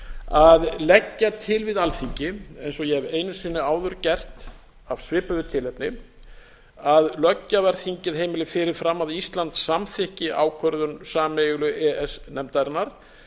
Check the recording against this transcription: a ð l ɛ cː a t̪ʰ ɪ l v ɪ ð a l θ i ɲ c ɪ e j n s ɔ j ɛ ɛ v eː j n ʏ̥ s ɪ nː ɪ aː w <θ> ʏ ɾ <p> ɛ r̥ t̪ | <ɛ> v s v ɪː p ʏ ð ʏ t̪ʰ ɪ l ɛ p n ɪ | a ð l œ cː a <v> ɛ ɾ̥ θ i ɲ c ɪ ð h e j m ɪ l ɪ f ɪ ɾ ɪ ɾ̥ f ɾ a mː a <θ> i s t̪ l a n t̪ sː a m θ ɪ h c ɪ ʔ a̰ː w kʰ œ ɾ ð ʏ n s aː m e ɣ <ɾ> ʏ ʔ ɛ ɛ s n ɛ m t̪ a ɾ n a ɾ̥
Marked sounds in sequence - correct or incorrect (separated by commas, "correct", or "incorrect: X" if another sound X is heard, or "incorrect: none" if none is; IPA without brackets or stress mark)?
incorrect: ð, incorrect: c, incorrect: a, correct, incorrect: ð, incorrect: l